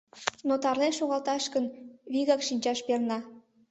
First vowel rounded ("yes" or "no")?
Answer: yes